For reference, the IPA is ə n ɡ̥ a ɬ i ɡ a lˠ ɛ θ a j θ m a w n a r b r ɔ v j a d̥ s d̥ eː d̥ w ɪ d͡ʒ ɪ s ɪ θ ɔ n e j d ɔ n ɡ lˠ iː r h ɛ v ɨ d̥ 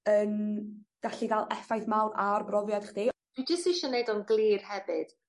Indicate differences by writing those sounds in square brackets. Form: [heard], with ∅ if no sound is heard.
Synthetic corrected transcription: ə n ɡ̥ a ɬ i ɡ a lˠ ɛ [f] a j θ m a w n a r b r ɔ v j a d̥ [χ] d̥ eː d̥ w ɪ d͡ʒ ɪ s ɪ [ʃ] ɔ n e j d ɔ n ɡ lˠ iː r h ɛ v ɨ d̥